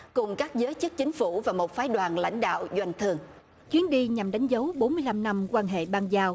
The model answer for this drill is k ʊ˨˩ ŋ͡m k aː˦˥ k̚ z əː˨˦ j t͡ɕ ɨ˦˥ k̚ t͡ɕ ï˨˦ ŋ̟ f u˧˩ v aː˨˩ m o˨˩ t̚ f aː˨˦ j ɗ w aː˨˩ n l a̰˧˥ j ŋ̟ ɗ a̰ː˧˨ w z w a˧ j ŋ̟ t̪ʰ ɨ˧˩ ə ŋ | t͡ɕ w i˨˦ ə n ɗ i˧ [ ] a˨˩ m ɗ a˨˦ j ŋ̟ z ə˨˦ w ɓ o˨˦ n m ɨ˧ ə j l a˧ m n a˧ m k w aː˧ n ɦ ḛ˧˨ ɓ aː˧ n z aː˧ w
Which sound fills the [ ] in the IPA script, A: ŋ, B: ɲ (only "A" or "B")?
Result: B